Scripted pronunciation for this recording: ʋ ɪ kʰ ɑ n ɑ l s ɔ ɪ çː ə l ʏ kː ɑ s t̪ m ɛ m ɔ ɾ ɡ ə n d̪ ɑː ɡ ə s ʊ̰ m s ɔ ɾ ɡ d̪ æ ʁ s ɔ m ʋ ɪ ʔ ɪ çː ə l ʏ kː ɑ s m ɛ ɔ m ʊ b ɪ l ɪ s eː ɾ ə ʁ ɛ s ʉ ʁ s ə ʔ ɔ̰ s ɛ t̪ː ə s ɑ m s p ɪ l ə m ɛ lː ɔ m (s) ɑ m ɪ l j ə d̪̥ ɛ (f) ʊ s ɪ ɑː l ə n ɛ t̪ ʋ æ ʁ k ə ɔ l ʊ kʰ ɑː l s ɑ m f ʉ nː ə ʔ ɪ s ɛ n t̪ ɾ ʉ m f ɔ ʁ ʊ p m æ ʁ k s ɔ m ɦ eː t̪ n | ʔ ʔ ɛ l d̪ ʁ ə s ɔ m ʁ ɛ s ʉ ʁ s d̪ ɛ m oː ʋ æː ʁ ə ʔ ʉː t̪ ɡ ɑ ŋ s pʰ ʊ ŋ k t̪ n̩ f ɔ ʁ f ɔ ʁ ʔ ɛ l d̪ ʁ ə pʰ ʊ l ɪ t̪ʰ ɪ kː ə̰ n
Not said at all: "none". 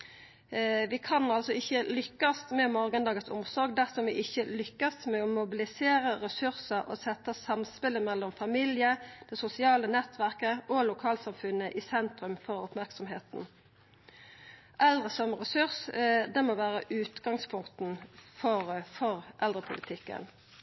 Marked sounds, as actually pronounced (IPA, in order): f, s

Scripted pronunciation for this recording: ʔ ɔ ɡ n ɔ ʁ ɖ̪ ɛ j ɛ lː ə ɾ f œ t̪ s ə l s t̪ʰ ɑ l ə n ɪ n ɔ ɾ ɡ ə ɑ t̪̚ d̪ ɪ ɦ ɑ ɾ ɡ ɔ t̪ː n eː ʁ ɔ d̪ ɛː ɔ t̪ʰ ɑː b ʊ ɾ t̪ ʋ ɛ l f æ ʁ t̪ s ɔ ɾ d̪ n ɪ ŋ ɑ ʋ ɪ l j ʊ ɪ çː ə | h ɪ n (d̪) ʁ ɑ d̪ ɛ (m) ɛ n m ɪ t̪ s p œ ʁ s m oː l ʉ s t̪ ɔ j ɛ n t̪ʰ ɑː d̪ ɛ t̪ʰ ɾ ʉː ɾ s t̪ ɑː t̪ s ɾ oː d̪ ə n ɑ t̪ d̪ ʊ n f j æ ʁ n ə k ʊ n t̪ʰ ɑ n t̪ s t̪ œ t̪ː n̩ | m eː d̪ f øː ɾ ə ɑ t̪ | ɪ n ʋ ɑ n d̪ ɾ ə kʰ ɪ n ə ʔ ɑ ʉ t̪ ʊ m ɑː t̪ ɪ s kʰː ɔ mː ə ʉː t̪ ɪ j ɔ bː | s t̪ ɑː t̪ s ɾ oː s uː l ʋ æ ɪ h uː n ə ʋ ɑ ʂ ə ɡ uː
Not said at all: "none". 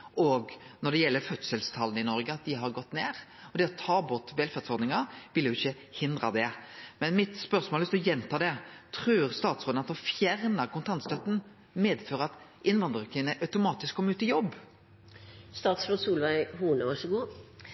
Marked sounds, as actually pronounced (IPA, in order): d̪, m

